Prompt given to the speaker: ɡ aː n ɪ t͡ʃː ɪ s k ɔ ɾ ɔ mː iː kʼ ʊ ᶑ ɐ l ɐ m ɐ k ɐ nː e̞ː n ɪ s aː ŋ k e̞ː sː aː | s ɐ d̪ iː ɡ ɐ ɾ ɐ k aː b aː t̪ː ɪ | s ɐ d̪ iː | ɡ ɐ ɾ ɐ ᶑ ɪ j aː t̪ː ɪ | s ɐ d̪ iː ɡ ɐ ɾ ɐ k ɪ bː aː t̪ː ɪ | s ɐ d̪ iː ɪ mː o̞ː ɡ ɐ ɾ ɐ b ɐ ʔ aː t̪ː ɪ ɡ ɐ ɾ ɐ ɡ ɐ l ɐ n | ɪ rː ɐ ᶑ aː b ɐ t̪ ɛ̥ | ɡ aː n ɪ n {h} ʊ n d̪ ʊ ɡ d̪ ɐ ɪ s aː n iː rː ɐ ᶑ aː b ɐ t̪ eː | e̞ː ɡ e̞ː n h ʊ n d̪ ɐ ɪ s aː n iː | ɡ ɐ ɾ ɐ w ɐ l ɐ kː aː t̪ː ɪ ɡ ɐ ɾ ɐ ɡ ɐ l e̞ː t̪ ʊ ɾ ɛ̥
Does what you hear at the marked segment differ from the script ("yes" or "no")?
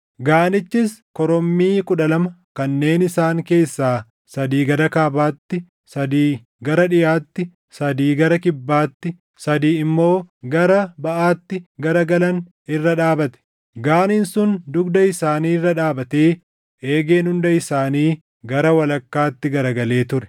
yes